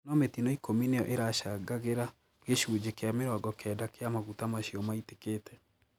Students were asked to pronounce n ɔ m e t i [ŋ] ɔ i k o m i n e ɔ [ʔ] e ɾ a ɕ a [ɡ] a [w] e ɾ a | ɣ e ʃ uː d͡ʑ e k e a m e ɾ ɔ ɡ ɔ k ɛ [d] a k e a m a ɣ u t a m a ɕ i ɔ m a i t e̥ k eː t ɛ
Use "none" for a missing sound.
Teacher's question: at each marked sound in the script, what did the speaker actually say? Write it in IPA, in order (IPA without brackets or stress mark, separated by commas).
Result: n, ʔ, ɡ, ɣ, d